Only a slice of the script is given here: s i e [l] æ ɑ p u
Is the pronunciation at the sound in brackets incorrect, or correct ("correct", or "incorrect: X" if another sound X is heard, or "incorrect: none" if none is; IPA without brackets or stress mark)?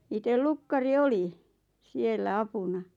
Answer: incorrect: lː